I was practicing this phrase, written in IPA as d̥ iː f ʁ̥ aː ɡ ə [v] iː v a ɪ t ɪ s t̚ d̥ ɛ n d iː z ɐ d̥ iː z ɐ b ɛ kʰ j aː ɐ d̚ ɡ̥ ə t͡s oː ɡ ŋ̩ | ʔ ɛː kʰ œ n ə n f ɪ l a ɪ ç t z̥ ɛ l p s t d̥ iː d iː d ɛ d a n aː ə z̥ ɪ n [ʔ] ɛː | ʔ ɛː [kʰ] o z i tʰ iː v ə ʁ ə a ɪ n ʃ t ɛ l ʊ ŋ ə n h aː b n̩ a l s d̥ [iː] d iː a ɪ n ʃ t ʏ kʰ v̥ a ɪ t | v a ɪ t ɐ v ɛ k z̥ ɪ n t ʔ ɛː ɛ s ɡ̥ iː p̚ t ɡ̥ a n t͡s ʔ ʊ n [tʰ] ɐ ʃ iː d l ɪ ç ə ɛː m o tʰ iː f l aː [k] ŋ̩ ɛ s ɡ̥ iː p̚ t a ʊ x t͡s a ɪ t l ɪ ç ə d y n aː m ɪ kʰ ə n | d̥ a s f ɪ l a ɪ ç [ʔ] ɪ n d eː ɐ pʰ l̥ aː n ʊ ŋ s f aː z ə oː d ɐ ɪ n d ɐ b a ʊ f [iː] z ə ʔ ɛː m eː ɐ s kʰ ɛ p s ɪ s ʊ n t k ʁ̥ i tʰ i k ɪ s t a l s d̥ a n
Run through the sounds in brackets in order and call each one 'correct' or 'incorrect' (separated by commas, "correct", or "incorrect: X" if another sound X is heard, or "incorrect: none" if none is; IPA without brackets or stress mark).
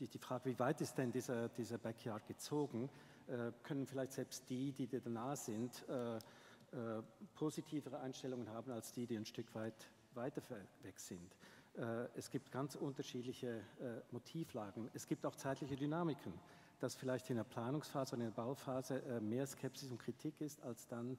correct, incorrect: t, incorrect: pʰ, correct, incorrect: t, incorrect: ɡ, incorrect: t, incorrect: aː